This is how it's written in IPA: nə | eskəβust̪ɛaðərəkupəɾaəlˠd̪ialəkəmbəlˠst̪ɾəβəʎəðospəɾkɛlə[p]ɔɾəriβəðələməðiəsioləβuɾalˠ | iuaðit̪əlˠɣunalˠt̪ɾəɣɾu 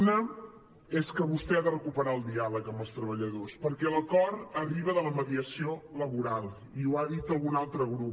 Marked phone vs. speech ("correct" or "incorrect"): incorrect